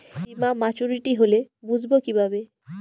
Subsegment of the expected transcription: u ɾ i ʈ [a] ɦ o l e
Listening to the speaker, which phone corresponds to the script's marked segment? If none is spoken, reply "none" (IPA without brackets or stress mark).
i